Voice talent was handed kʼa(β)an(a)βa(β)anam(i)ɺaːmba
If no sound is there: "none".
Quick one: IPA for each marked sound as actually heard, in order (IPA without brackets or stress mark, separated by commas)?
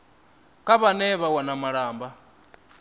β, ɛ, w, a